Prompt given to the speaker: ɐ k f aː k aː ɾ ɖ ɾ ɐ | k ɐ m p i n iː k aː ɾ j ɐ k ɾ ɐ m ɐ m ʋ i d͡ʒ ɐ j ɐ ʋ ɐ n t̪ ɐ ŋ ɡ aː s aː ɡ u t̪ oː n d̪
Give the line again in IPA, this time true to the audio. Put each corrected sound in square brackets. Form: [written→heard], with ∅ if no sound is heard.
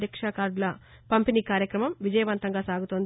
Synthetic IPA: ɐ k [f→ʂ] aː k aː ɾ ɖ [ɾ→l] ɐ | [k→p] ɐ m p i n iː k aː ɾ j ɐ k ɾ ɐ m ɐ m ʋ i d͡ʒ ɐ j ɐ ʋ ɐ n t̪ ɐ ŋ ɡ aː s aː ɡ u t̪ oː n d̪